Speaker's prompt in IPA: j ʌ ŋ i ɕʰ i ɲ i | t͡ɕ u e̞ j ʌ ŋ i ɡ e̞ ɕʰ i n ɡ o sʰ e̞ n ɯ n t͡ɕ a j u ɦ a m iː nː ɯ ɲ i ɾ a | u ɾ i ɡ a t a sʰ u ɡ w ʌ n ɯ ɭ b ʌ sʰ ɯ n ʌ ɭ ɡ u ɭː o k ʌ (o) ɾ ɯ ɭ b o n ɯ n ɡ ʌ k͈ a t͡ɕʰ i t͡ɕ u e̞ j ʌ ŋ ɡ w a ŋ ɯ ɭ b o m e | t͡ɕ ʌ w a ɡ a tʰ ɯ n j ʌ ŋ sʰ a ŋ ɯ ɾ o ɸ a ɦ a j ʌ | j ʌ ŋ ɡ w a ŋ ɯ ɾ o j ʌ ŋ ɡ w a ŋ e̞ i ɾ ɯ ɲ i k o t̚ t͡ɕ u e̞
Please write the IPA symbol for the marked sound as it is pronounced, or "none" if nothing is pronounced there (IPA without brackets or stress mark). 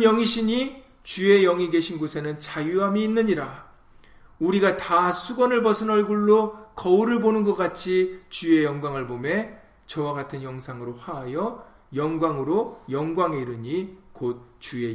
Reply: u